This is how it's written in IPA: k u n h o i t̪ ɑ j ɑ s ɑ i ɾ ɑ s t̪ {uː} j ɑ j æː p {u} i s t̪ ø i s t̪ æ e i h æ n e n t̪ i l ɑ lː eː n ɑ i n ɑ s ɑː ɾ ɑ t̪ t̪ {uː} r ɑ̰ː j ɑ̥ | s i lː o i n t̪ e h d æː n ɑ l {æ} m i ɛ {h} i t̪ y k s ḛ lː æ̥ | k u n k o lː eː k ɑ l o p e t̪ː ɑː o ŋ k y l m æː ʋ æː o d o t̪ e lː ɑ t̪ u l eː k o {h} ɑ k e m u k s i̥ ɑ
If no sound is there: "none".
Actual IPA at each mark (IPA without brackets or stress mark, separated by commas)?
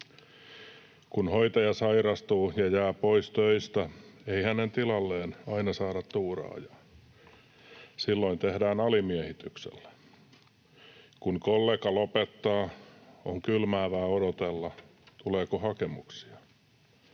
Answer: uː, o, uː, i, h, h